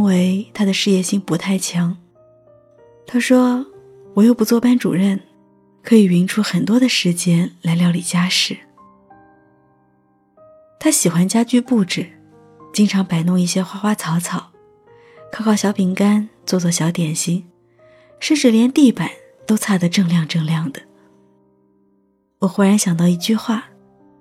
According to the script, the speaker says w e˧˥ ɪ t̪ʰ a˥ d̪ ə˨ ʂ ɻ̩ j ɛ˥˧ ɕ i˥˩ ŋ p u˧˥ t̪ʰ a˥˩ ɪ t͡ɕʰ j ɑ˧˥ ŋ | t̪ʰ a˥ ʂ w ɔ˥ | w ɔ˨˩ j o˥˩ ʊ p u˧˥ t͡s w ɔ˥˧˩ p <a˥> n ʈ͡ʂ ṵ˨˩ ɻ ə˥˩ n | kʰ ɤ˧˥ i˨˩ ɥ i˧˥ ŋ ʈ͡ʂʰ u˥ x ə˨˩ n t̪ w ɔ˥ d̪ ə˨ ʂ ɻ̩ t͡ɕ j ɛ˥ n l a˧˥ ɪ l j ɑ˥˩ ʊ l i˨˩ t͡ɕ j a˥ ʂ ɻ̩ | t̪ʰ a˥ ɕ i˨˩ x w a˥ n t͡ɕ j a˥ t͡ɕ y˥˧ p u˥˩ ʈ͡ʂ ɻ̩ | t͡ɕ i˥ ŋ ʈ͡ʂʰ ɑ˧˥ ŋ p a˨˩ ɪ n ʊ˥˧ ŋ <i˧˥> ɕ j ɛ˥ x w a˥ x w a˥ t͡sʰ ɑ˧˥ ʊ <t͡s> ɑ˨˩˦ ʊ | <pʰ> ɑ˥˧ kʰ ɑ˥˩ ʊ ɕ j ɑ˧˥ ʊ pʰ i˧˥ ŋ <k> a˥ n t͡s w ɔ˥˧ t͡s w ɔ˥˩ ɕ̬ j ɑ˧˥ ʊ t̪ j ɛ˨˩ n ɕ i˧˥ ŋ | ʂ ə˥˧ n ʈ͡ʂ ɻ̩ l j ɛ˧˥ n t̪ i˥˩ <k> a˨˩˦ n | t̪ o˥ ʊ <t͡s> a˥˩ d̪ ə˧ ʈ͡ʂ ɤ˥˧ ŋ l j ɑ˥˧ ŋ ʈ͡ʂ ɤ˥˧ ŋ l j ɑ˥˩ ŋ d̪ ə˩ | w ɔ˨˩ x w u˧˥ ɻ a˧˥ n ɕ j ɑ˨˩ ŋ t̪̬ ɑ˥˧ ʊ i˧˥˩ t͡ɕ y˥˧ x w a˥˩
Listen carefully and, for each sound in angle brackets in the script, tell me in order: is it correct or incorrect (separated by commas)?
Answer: correct, incorrect, incorrect, incorrect, correct, incorrect, incorrect